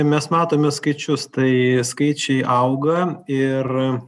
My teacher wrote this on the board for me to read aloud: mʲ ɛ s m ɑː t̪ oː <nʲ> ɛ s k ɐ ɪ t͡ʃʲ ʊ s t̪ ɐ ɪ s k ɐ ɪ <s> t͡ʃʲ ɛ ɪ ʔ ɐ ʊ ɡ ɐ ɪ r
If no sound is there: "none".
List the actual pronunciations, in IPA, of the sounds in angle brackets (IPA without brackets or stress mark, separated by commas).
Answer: mʲ, none